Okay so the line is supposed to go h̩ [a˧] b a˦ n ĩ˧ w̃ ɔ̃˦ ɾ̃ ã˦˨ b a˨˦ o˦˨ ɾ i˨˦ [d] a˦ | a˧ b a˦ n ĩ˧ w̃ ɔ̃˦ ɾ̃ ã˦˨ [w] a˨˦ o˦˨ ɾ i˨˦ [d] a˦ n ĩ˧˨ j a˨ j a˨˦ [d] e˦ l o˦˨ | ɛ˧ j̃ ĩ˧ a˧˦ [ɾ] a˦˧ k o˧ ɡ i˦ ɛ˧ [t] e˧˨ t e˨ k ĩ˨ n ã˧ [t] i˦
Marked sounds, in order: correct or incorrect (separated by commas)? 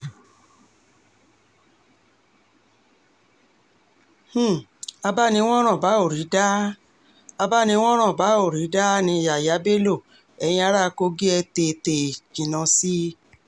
correct, correct, incorrect, correct, incorrect, correct, correct, incorrect